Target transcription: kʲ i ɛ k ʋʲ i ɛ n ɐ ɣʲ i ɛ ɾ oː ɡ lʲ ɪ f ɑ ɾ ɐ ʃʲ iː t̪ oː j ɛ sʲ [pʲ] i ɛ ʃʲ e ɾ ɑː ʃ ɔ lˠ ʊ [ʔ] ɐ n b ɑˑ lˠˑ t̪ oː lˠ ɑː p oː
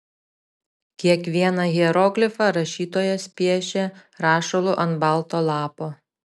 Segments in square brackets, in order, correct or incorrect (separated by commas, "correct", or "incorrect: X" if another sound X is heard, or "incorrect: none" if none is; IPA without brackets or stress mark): correct, correct